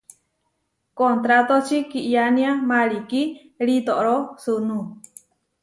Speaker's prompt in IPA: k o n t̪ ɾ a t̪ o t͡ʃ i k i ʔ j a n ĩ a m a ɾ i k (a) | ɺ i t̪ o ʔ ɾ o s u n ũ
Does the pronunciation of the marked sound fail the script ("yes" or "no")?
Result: yes